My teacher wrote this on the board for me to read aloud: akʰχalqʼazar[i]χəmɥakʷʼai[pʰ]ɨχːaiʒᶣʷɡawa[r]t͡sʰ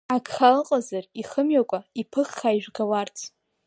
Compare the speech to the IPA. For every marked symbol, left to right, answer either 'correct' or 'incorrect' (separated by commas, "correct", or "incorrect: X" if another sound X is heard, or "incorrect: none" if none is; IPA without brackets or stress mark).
correct, correct, correct